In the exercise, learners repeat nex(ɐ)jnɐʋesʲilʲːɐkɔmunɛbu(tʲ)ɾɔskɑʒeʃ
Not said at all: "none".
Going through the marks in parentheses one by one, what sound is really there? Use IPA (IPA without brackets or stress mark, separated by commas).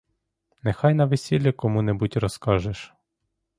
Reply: ɑ, tʲ